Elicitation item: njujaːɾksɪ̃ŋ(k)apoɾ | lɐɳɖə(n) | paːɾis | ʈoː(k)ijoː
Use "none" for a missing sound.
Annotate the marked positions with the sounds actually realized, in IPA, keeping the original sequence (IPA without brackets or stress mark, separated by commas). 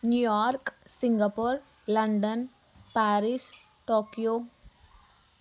ɡ, n, k